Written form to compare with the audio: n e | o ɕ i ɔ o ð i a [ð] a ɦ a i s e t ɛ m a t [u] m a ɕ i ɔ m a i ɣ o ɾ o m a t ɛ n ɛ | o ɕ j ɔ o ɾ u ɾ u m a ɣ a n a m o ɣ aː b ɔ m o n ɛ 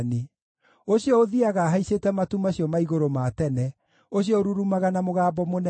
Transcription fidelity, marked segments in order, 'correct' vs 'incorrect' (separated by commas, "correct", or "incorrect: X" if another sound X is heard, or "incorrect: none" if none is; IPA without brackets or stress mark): incorrect: ɣ, correct